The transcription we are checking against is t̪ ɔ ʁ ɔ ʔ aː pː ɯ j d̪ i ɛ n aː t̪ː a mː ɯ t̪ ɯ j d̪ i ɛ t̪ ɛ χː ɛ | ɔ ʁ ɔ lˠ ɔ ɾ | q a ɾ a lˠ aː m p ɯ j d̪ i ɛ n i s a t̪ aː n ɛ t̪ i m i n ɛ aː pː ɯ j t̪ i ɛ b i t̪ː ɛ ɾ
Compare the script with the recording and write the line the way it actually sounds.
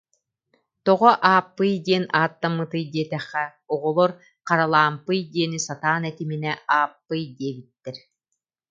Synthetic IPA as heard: t̪ ɔ ʁ ɔ ʔ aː pː ɯ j d̪ i ɛ n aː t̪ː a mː ɯ t̪ ɯ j d̪ i ɛ t̪ ɛ χː ɛ | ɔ ʁ ɔ lˠ ɔ ɾ | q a ɾ a lˠ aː m p ɯ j d̪ i ɛ n i s a t̪ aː n ɛ t̪ i m i n ɛ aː pː ɯ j d̪ i ɛ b i t̪ː ɛ ɾ